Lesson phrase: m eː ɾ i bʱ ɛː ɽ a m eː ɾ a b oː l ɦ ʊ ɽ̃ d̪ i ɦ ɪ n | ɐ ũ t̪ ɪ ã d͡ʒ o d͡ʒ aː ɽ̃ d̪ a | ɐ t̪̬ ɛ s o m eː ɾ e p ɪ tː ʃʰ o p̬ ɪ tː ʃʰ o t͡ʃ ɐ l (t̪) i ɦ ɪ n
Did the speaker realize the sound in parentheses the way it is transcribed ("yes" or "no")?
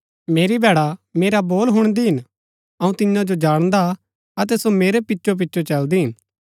no